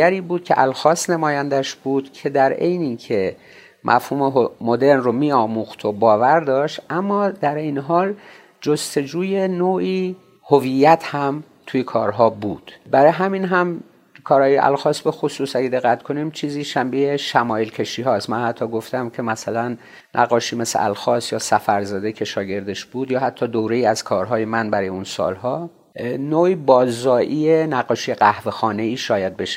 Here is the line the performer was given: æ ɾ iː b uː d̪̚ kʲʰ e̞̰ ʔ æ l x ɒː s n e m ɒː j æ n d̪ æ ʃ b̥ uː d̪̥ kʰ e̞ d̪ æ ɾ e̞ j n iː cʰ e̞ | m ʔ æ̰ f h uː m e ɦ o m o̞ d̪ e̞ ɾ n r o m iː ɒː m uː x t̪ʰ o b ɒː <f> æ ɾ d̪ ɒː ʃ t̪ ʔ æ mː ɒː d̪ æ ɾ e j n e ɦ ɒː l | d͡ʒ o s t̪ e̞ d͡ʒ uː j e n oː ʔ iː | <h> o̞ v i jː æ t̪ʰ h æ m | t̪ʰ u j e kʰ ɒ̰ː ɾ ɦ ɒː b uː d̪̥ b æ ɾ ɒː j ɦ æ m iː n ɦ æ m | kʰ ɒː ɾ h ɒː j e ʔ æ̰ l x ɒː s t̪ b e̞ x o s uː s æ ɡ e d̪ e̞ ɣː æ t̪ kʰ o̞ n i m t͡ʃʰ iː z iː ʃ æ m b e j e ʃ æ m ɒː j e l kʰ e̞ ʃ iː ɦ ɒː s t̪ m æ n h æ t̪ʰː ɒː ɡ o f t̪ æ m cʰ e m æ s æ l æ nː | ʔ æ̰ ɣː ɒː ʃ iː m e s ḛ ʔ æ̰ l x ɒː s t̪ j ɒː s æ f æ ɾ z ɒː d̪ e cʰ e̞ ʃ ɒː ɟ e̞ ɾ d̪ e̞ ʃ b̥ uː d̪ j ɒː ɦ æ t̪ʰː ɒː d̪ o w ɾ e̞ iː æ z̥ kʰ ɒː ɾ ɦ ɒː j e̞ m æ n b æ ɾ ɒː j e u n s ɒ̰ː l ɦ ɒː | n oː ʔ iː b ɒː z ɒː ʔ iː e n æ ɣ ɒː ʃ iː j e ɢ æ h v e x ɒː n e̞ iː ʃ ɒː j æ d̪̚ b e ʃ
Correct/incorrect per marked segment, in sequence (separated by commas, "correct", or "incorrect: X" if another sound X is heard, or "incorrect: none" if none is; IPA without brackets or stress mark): incorrect: v, correct